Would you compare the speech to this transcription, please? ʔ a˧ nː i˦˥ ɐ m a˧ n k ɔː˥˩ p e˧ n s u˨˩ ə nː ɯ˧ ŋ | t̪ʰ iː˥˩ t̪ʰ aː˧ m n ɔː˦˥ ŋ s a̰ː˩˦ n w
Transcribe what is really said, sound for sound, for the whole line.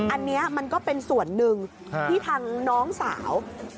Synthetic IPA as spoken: ʔ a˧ nː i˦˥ ɐ m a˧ n k ɔː˥˩ p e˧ n s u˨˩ ə nː ɯ˧ ŋ | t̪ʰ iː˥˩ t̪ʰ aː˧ ŋ n ɔː˦˥ ŋ s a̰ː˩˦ w

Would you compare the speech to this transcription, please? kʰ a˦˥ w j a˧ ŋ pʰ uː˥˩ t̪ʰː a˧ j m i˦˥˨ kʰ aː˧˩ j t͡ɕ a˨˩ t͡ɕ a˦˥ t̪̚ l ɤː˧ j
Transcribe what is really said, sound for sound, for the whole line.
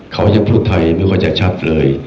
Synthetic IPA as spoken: kʰ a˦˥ w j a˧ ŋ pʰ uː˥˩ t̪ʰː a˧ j m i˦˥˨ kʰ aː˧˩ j t͡ɕ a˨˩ t͡ɕʰ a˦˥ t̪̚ l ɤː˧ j

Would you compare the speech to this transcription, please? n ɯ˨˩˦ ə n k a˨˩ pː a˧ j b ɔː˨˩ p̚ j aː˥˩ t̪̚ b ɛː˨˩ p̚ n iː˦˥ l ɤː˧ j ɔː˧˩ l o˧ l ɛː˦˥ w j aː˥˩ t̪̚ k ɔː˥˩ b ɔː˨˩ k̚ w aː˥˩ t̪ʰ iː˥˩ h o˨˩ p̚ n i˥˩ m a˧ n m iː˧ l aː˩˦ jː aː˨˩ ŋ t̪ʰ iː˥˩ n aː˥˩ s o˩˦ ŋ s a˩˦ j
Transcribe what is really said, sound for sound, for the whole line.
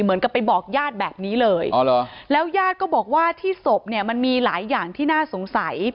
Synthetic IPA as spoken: m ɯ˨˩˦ ə n k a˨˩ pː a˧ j b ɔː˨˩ k̚ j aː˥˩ t̪̚ b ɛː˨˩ p̚ n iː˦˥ l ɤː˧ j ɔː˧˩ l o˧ l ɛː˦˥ w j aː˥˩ t̪̚ k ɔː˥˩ b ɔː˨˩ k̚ w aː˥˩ t̪ʰ iː˥˩ s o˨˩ p̚ n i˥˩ m a˧ n m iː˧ l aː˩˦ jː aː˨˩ ŋ t̪ʰ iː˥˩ n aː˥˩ s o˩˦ ŋ s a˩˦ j

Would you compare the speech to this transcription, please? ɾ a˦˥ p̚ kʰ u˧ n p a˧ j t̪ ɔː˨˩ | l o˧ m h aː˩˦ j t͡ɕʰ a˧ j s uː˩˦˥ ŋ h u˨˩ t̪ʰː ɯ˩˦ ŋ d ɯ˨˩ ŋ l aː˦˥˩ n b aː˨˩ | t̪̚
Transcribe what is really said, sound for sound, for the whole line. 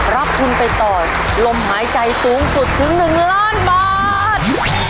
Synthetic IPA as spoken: ɾ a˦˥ p̚ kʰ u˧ n p a˧ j t̪ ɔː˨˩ | l o˧ m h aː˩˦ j t͡ɕ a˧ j s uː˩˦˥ ŋ s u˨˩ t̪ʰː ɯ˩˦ ŋ n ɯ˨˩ ŋ l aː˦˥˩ n b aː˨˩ | t̪̚

